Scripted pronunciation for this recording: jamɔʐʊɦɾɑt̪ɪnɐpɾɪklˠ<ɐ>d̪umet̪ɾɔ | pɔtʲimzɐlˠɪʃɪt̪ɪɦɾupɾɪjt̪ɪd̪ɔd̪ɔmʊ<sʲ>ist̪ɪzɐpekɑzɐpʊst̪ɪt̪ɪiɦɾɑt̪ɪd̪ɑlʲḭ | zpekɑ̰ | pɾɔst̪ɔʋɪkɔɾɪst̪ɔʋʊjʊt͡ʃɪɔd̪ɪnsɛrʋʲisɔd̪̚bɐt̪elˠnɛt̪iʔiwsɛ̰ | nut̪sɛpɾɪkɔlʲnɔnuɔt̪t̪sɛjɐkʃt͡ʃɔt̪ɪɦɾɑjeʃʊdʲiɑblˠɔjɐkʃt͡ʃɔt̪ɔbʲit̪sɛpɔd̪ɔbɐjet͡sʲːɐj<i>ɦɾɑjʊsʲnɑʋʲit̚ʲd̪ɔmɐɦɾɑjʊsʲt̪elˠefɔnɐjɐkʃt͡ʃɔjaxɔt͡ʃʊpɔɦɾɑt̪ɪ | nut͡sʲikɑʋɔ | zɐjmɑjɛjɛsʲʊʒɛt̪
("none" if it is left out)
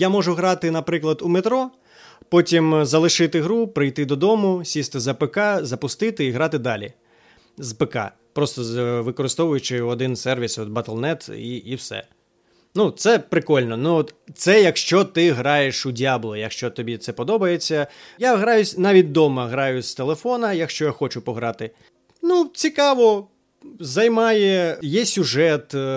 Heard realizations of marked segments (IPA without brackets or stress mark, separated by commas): ɐ, sʲ, a